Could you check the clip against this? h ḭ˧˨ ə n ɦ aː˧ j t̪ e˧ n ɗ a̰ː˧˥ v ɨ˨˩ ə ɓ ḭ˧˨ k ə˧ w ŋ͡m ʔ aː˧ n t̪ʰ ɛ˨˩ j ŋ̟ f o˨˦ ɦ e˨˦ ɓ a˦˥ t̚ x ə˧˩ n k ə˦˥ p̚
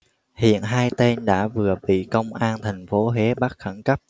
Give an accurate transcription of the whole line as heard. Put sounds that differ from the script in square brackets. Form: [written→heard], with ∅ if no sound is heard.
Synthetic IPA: h ḭ˧˨ ə n ɦ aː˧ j t̪ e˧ n ɗ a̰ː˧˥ v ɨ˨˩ ə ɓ ḭ˧˨ k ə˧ w ŋ͡m ʔ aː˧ n t̪ʰ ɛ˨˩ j ŋ̟ f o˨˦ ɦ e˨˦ ɓ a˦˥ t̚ x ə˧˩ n k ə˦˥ p̚